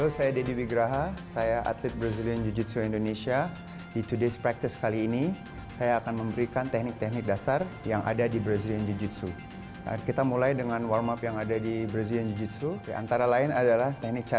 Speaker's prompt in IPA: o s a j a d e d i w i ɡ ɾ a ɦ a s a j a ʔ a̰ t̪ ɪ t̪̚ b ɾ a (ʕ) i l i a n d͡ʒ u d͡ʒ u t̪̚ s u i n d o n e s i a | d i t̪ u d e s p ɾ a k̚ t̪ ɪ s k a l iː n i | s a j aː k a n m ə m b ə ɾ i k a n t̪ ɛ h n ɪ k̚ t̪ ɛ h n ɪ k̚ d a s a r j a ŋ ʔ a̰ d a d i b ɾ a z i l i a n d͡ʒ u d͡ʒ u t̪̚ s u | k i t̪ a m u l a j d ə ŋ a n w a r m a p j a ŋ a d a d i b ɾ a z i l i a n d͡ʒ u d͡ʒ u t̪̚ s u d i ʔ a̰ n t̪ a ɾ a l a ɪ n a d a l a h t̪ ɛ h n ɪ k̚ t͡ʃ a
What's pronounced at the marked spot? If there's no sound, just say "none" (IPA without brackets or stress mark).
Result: z